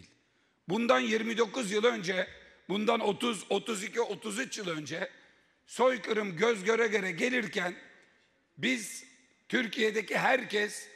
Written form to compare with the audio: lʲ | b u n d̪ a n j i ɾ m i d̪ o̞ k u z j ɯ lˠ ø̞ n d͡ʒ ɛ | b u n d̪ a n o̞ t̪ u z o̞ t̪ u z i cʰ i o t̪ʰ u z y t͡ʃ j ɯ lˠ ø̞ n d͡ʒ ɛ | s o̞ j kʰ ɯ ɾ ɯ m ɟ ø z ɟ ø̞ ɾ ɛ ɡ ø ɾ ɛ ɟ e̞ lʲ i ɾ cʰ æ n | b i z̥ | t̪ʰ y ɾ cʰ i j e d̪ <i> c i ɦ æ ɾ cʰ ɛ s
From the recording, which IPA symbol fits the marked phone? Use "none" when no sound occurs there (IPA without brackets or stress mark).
e